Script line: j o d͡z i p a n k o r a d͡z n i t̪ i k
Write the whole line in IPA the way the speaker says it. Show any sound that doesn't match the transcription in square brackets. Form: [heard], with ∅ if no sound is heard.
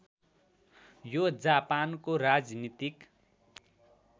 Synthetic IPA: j o d͡z [a] p a n k o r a d͡z n i t̪ i k

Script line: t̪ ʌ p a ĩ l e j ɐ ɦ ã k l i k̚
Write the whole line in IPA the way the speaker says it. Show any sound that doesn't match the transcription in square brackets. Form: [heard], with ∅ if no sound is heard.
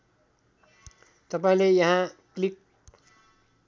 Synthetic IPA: t̪ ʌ p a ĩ l e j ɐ ɦ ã k l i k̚

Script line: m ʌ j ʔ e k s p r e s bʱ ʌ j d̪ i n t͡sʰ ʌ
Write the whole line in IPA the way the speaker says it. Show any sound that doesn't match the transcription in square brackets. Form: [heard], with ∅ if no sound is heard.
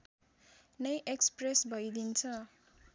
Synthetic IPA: [n] ʌ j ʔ e k s p r e s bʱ ʌ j d̪ i n t͡sʰ ʌ

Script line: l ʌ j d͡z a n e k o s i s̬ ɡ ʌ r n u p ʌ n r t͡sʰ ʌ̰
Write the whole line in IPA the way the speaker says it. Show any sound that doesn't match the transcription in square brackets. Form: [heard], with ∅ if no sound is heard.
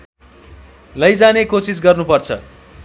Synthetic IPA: l ʌ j d͡z a n e k o s i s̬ ɡ ʌ r n u p ʌ [∅] r t͡sʰ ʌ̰

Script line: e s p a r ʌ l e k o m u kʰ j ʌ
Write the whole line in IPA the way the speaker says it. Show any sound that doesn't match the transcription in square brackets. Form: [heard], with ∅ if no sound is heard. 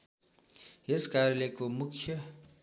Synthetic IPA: e s [k] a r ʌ l e k o m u kʰ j ʌ

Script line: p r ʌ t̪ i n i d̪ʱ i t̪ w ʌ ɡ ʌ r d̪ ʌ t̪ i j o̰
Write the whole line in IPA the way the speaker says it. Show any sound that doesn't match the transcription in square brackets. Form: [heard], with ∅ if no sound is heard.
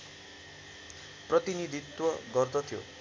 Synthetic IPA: p r ʌ t̪ i n i d̪ʱ i t̪ w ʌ ɡ ʌ r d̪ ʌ [t̪ʰ] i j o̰

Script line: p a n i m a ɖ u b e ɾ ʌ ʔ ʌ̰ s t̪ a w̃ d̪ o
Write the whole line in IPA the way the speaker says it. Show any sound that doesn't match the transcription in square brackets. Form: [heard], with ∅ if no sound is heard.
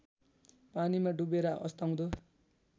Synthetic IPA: p a n i m a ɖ u b e ɾ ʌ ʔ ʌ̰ s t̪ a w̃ d̪ o

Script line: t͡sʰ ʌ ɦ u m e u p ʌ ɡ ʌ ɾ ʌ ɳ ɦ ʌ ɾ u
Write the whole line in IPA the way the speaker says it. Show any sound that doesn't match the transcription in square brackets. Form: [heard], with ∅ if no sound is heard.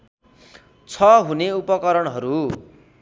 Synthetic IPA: t͡sʰ ʌ ɦ u [n] e u p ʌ [k] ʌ ɾ ʌ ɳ ɦ ʌ ɾ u

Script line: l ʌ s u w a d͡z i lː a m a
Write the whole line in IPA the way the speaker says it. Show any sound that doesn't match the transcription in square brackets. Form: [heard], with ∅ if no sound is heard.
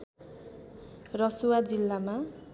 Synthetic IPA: [r] ʌ s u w a d͡z i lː a m a

